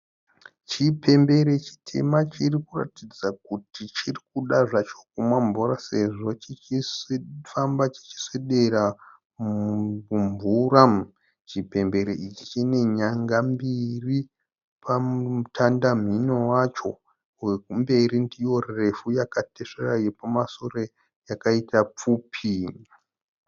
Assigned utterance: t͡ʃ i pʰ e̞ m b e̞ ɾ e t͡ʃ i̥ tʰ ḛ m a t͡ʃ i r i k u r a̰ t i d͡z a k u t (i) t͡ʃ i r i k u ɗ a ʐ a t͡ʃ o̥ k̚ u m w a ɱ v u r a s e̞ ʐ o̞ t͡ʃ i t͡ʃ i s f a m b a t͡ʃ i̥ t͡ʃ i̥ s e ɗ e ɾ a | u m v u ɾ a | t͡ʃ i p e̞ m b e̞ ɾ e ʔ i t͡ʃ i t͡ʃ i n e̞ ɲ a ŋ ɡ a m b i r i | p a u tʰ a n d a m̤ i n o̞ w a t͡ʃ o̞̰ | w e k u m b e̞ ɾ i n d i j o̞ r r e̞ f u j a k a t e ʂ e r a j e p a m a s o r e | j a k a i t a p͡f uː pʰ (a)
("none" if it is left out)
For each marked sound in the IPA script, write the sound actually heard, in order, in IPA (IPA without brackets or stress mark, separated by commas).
i, i